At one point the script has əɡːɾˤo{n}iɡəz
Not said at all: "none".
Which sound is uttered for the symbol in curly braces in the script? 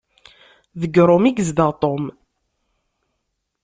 m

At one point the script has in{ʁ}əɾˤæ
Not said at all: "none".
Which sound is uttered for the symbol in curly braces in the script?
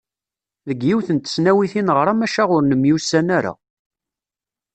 ʁ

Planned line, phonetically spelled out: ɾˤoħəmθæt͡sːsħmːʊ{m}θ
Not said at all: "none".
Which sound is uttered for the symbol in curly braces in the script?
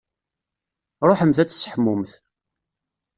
m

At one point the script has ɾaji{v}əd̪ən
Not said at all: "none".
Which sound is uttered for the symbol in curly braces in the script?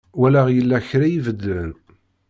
v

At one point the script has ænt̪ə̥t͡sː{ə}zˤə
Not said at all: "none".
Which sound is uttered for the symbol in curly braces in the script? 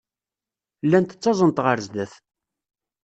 ɑ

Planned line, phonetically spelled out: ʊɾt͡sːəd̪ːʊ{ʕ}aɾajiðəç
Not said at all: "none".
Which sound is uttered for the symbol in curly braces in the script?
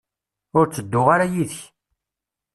ʁ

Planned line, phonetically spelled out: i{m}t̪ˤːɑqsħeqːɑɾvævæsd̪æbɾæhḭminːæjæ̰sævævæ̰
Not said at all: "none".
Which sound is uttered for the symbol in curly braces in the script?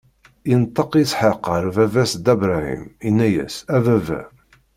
n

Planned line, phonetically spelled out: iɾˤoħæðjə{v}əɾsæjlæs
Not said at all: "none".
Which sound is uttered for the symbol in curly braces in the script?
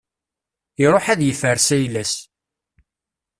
f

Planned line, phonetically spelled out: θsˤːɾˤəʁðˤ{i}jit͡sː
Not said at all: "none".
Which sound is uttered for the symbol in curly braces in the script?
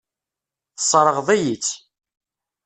æ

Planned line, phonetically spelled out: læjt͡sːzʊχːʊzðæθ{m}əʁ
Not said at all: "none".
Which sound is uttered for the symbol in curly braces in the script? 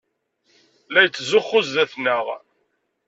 n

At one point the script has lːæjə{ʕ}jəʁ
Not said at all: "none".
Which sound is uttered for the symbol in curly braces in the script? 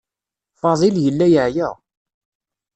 ʕ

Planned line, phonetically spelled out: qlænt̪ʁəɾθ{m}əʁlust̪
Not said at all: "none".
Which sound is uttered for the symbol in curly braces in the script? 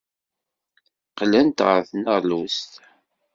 n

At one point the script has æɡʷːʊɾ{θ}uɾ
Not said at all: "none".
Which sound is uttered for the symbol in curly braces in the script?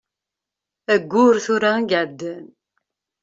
θ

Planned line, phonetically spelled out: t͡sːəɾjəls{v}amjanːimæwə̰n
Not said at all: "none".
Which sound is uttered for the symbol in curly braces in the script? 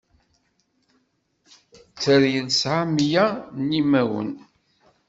ʕ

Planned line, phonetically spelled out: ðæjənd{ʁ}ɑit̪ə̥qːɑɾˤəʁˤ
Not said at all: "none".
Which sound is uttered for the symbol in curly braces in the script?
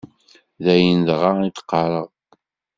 ʁ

